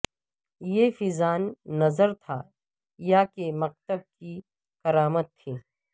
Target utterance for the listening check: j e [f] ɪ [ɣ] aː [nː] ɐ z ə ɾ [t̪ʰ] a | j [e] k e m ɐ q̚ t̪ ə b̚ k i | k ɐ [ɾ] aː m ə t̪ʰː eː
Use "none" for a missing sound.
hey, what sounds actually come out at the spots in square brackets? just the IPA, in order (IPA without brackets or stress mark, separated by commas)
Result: f, z, nː, t̪ʰ, a, ɾ